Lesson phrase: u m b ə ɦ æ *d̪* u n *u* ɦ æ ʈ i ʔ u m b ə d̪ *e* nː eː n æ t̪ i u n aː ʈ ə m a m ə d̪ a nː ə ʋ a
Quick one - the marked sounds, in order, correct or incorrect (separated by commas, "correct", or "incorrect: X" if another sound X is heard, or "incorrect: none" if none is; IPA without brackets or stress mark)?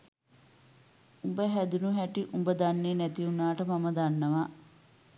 correct, correct, incorrect: a